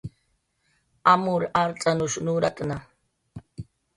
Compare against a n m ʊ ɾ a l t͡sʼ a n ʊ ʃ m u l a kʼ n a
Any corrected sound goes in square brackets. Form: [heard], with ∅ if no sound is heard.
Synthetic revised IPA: a [∅] m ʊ ɾ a [ɾ] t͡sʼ a n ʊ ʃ [n] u [ɾ] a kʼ n a